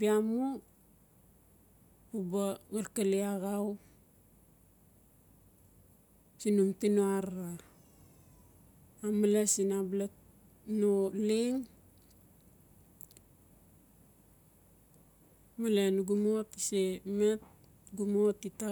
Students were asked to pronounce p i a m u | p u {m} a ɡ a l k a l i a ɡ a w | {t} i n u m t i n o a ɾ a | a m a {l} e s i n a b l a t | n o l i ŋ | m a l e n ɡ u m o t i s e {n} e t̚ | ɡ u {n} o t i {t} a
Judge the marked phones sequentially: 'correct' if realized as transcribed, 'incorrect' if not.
incorrect: b, incorrect: s, correct, incorrect: m, incorrect: m, correct

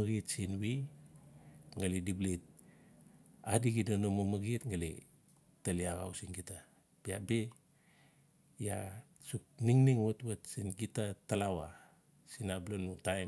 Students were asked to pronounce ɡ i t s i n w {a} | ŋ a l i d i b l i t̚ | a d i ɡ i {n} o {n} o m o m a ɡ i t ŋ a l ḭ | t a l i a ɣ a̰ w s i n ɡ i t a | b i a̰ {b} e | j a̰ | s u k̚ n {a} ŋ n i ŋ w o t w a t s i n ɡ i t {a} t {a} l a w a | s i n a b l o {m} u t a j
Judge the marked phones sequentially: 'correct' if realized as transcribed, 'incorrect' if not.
incorrect: i, incorrect: d, correct, correct, incorrect: i, correct, correct, incorrect: n

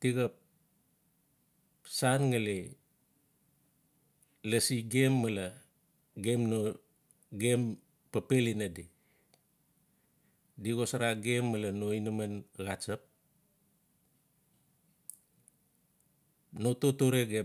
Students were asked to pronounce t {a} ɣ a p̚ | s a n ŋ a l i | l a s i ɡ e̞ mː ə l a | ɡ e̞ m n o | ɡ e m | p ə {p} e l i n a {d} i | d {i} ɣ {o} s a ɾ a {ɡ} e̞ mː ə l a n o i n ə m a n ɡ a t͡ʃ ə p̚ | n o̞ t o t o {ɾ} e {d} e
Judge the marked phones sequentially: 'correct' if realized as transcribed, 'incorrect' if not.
incorrect: i, correct, correct, correct, correct, correct, correct, incorrect: ɡ

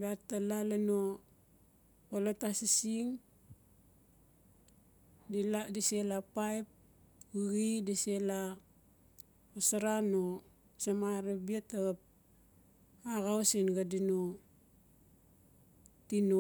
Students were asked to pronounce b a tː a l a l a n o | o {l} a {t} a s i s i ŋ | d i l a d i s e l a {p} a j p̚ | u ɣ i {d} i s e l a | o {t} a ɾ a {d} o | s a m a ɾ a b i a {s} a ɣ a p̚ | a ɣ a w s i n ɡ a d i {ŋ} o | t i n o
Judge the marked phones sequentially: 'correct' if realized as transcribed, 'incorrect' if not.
correct, correct, correct, correct, incorrect: s, incorrect: n, incorrect: t, incorrect: n

